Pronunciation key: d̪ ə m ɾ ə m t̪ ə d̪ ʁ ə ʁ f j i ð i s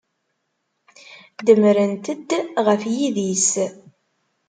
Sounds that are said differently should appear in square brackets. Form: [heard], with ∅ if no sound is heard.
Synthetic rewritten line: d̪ ə m ɾ ə [n] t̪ ə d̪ ʁ ə [∅] f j i ð i s